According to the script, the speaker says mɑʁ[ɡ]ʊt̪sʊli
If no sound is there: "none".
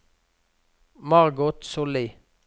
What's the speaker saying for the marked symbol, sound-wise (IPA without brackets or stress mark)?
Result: ɡ